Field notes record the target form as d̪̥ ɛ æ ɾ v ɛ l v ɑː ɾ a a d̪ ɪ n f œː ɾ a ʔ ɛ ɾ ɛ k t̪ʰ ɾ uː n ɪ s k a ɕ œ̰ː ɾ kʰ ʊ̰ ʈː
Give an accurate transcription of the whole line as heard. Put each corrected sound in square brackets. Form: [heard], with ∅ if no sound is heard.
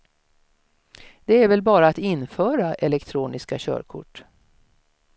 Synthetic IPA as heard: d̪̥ ɛ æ ɾ v ɛ l [b] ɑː ɾ a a [t̪] ɪ n f œː ɾ a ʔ ɛ [l] ɛ k t̪ʰ ɾ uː n ɪ s k a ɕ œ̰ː ɾ kʰ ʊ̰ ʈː